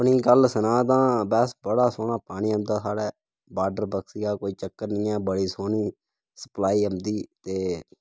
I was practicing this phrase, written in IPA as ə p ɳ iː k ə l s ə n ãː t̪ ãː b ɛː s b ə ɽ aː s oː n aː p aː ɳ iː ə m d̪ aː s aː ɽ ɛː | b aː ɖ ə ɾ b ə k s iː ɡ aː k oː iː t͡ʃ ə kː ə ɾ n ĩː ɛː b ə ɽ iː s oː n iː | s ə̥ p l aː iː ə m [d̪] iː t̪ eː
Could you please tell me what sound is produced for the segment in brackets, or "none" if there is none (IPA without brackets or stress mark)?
d̪